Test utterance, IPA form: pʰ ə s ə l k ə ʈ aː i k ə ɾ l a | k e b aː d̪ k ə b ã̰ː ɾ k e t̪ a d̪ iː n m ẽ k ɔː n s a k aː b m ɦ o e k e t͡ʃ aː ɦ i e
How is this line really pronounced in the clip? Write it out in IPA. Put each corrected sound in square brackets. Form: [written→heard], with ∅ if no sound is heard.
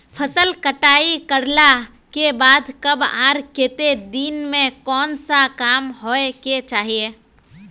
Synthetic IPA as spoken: pʰ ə s ə l k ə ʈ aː i k ə ɾ l a | k e b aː d̪ k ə b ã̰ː ɾ k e t̪ [a→e] d̪ iː n m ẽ k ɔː n s a k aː [b→∅] m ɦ o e k e t͡ʃ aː ɦ i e